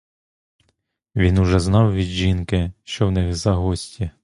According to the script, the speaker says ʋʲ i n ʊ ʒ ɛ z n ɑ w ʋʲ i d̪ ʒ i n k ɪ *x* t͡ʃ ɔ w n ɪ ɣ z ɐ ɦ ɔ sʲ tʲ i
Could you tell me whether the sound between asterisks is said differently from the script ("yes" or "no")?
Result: yes